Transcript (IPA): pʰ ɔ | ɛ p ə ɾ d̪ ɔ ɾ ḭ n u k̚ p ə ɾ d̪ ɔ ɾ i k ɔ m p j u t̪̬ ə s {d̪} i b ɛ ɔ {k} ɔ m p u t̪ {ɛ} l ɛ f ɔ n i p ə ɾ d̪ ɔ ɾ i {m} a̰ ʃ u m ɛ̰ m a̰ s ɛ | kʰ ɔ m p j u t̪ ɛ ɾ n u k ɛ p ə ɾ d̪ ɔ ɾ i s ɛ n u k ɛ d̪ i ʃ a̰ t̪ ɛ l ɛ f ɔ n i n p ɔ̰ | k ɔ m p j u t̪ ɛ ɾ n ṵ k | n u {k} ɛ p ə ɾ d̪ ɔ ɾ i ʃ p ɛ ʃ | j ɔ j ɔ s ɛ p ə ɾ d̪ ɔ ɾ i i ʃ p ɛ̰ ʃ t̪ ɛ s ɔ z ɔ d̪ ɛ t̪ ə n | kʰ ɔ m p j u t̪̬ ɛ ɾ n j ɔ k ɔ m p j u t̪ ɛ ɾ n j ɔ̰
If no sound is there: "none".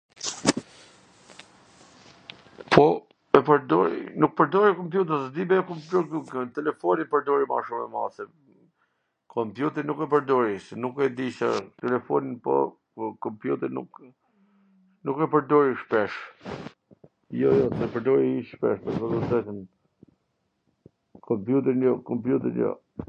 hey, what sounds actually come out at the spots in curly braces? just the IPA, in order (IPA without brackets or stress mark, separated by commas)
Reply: d̪, k, ɛ, m, k